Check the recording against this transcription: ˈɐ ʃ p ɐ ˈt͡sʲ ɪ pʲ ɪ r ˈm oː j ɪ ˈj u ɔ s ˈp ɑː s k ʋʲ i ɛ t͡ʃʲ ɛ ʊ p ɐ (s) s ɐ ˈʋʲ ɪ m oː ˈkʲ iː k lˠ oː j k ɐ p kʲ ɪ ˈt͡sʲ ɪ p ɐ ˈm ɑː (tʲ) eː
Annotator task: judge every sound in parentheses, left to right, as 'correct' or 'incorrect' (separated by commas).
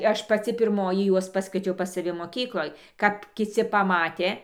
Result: correct, correct